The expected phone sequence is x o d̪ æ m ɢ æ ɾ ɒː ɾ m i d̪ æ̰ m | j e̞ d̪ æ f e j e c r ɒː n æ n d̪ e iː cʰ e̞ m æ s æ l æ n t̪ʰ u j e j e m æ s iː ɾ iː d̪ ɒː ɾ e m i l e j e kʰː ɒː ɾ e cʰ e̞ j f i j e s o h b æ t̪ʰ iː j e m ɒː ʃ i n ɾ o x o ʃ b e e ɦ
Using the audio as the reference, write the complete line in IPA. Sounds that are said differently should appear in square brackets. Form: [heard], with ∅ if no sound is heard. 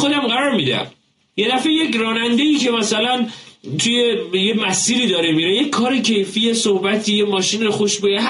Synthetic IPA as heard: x o d̪ æ m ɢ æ ɾ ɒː ɾ m i d̪ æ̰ m | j e̞ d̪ æ f e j e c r ɒː n æ n d̪ e iː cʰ e̞ m æ s æ l æ n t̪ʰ u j e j e m æ s iː ɾ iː d̪ ɒː ɾ e m i [ɾ] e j e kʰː ɒː ɾ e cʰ e̞ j f i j e s o h b æ t̪ʰ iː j e m ɒː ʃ i n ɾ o x o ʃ b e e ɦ